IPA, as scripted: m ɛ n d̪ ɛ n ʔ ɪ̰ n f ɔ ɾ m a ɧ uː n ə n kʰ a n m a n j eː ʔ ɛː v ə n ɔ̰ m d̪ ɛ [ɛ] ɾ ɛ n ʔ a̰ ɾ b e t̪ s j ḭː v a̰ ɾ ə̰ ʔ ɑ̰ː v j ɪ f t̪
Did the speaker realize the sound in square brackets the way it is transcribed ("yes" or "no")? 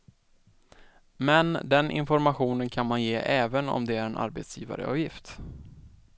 no